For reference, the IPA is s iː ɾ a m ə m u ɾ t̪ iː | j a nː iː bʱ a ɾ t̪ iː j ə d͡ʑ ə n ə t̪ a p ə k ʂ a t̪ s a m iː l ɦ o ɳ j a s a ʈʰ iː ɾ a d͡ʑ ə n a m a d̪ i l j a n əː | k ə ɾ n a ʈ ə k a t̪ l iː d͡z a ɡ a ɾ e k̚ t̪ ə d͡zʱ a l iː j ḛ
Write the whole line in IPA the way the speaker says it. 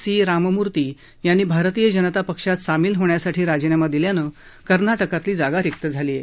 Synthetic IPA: s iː ɾ a m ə m u ɾ t̪ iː | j a nː iː bʱ a ɾ t̪ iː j ə d͡ʑ ə n ə t̪ a p ə k ʂ a t̪ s a m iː l ɦ o ɳ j a s a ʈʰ iː ɾ a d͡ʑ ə n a m a d̪ i l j a n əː | k ə ɾ n a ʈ ə k a t̪ l iː d͡z a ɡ a ɾ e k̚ t̪ ə d͡zʱ a l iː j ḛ